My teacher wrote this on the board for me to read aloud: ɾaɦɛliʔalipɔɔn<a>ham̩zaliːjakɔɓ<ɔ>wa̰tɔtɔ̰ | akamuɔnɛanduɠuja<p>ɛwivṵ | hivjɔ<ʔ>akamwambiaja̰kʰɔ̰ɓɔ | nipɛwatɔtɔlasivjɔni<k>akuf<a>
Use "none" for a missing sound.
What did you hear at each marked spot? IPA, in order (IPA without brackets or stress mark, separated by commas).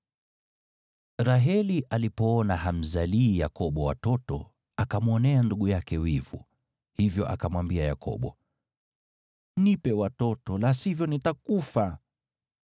a, ɔ, k, ʔ, t, a